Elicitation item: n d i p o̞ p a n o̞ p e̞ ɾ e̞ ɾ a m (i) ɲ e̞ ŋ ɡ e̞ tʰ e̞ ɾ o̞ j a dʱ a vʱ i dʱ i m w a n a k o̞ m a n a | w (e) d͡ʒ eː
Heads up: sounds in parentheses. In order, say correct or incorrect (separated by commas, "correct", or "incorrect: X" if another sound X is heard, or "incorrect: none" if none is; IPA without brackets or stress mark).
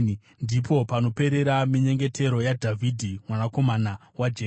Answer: correct, incorrect: a